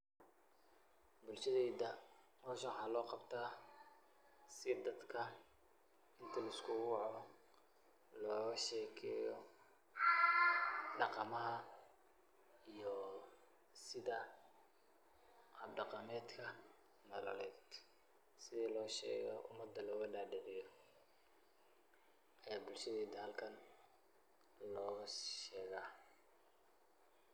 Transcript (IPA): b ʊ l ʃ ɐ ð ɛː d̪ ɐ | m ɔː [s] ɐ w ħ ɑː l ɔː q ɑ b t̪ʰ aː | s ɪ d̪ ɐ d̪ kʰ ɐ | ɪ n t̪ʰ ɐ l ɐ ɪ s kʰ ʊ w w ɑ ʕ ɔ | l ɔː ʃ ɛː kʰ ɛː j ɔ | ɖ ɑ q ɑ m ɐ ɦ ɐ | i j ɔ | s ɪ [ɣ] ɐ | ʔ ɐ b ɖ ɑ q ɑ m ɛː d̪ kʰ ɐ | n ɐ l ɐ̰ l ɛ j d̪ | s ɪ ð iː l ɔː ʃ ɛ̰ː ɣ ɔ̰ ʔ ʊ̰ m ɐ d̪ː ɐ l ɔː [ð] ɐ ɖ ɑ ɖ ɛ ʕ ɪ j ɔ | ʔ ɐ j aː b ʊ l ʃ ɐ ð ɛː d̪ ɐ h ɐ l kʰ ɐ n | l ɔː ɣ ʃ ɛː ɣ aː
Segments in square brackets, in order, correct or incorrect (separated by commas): incorrect, incorrect, incorrect